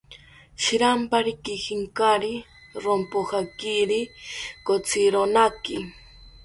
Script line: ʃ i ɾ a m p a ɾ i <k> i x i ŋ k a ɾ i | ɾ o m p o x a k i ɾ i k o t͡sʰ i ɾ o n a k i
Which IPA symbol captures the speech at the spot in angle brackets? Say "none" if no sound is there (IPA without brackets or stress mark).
k